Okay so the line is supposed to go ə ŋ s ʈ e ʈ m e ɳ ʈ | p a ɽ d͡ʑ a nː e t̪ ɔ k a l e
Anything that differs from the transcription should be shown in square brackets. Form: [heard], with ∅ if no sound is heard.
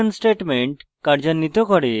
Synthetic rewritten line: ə [n] s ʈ e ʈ m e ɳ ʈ | [k] a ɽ d͡ʑ a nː [i] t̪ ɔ k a [ɽ] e